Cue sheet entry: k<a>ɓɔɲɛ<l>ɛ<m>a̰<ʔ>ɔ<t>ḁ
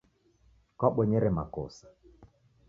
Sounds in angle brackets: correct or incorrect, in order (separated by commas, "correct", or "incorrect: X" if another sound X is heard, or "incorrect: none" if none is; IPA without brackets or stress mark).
correct, incorrect: ɾ, correct, incorrect: k, incorrect: s